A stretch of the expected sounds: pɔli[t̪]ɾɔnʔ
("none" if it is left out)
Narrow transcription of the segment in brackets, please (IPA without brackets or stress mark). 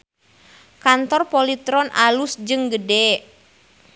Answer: t̪